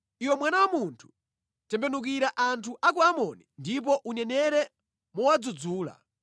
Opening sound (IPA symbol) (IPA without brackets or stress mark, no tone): i